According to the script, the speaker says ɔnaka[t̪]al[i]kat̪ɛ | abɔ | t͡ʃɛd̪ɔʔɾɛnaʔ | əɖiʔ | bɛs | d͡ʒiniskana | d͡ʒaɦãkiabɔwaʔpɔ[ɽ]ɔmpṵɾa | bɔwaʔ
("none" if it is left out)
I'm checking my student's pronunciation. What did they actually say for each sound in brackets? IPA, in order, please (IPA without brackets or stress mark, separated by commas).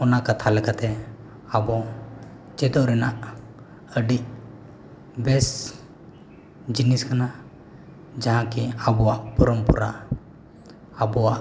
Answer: t̪ʰ, ɛ, ɾ